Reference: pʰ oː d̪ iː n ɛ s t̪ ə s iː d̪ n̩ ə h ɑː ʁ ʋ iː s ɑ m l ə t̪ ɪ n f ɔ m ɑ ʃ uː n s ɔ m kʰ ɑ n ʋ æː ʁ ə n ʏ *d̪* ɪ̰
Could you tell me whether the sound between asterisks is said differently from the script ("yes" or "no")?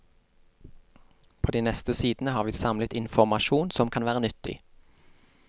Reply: yes